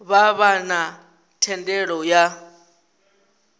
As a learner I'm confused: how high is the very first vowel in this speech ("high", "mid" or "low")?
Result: low